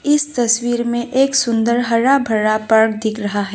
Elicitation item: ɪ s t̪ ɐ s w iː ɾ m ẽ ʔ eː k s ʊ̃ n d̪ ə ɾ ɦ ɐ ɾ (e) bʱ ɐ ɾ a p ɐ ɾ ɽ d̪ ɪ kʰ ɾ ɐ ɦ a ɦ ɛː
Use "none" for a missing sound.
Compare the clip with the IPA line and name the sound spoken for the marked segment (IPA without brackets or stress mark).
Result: a